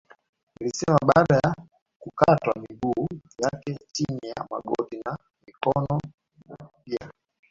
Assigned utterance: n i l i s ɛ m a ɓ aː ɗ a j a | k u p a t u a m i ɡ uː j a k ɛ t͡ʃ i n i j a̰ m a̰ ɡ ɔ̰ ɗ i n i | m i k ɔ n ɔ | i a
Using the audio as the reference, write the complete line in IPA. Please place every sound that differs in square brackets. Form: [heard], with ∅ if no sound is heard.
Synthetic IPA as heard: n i l i s ɛ m a ɓ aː ɗ a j a | k u [k] a t [w] a m i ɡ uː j a k ɛ t͡ʃ i n i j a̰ m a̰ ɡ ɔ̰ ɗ i n [a] | m i k ɔ n ɔ | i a